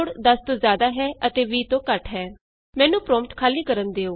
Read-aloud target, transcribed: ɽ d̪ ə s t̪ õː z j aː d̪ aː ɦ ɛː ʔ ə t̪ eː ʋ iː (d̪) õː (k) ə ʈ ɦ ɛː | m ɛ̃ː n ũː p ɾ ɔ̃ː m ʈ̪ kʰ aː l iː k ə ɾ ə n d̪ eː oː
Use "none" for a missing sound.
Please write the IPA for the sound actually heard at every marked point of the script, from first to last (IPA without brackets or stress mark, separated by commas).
t̪, k